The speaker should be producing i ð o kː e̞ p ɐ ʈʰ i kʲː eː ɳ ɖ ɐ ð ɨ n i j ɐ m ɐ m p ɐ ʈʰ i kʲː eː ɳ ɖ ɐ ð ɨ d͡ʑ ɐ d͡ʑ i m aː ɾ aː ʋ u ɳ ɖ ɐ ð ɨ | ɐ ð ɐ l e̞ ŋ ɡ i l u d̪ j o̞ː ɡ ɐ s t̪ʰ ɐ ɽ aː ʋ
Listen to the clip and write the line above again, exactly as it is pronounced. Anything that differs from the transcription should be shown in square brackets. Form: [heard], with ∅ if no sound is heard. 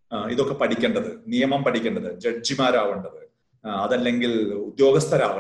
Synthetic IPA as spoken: i ð o kː e̞ p ɐ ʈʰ i kʲː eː ɳ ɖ ɐ ð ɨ n i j ɐ m ɐ m p ɐ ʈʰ i kʲː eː ɳ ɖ ɐ ð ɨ d͡ʑ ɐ d͡ʑ i m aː ɾ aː ʋ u ɳ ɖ ɐ ð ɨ | ɐ ð ɐ [lː] e̞ ŋ ɡ i l u d̪ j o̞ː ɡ ɐ s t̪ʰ ɐ [ɾ] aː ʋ